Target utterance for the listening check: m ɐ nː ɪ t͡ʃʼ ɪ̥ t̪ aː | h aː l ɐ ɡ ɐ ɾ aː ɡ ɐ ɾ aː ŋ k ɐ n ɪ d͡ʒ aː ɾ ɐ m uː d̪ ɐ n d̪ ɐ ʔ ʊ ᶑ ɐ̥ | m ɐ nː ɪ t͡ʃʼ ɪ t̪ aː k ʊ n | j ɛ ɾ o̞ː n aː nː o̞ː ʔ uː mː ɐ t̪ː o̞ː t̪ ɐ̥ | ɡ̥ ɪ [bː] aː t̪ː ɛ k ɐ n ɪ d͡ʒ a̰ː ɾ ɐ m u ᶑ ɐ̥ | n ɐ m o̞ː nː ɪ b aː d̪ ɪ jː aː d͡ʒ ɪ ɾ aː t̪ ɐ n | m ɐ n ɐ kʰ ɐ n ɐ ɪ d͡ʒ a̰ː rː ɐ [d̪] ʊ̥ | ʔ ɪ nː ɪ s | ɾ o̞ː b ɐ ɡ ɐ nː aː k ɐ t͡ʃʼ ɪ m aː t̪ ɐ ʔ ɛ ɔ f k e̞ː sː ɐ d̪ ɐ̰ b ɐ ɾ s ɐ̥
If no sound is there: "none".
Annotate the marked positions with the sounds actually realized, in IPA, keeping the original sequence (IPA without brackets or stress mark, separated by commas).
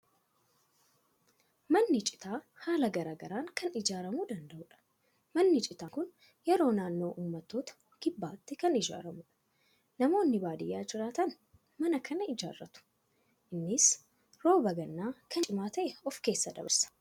bː, t̪